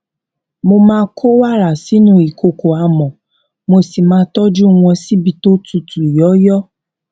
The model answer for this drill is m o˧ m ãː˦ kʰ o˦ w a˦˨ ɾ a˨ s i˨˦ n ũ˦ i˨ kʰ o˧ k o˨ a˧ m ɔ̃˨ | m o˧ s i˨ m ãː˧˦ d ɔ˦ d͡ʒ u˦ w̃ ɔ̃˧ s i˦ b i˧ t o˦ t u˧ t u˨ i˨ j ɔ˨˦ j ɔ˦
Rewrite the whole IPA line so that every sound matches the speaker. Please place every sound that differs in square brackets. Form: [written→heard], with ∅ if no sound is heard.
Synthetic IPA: m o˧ m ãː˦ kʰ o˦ w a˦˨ ɾ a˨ s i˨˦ n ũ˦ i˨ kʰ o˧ k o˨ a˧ m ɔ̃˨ | m o˧ s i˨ m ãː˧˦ [d→t] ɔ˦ d͡ʒ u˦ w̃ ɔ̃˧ s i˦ b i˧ t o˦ t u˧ t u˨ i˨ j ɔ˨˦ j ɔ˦